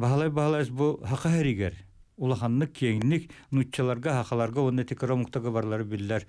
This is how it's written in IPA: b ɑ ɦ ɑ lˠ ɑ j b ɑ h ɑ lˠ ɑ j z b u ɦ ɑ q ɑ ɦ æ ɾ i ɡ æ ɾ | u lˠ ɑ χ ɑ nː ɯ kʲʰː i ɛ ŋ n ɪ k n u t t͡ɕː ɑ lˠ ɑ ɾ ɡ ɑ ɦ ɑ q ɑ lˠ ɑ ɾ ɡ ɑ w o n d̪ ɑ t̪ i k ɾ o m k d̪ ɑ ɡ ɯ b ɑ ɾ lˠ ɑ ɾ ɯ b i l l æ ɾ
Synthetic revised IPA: b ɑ ɦ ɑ lˠ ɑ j b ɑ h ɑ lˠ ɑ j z b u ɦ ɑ q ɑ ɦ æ ɾ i ɡ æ ɾ | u lˠ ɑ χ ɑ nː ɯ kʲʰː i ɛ ŋ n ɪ k n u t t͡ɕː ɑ lˠ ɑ ɾ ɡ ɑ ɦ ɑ q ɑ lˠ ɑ ɾ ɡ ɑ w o n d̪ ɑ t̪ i k ɾ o m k t̪ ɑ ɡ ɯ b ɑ ɾ lˠ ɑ ɾ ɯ b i l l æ ɾ

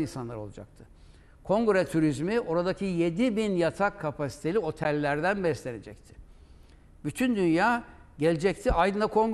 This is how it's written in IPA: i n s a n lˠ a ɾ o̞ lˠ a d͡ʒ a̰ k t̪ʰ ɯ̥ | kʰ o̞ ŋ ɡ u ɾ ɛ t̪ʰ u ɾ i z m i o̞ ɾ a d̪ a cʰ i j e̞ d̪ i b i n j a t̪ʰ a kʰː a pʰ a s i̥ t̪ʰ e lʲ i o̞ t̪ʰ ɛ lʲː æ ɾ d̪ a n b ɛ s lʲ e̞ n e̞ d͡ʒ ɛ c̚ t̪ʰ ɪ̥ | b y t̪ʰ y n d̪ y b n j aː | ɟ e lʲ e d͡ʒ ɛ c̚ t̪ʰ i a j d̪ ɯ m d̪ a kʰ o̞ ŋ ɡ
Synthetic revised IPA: i n s a n lˠ a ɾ o̞ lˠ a d͡ʒ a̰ k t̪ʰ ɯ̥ | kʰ o̞ ŋ ɡ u ɾ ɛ t̪ʰ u ɾ i z m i o̞ ɾ a d̪ a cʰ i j e̞ d̪ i b i n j a t̪ʰ a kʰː a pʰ a s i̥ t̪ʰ e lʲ i o̞ t̪ʰ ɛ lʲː æ ɾ d̪ æ n b ɛ s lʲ e̞ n e̞ d͡ʒ ɛ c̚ t̪ʰ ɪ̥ | b y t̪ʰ y n d̪ y n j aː | ɟ e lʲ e d͡ʒ ɛ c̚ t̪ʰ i a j d̪ ɯ n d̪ a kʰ o̞ ŋ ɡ

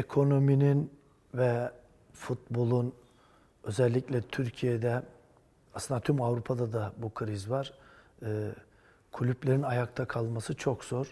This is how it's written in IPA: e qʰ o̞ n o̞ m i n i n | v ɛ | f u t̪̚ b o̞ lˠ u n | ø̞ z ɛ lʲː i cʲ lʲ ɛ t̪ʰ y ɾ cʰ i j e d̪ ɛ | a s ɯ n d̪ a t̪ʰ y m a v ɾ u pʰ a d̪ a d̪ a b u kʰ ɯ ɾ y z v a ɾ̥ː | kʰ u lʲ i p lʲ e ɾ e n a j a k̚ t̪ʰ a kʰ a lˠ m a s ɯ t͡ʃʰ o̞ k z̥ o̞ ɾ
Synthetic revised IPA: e kʰ o̞ n o̞ m i n i n | v ɛ | f u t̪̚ b o̞ lˠ u n | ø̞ z ɛ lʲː i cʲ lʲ ɛ t̪ʰ y ɾ cʰ i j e d̪ ɛ | a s ɯ n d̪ a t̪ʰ y m a v ɾ u pʰ a d̪ a d̪ a b u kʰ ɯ ɾ i z v a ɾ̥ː | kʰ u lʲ y p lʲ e ɾ i n a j a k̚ t̪ʰ a kʰ a lˠ m a s ɯ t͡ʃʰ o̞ k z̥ o̞ ɾ

